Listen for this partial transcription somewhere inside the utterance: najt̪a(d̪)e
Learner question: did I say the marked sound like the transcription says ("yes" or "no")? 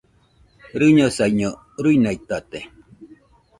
no